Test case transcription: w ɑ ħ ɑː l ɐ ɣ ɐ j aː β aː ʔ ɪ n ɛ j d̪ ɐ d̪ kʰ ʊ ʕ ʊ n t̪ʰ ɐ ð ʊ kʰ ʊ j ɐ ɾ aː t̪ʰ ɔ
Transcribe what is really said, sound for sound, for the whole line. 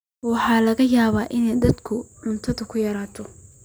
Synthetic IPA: w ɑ ħ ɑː l ɐ ɣ ɐ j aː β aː ʔ ɪ n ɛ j d̪ ɐ d̪ kʰ ʊ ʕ ʊ n t̪ʰ ɐ ð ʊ kʰ ʊ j ɐ ɾ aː t̪ʰ ɔ